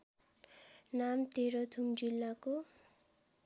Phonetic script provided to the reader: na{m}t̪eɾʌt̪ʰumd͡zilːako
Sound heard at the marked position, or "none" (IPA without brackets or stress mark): m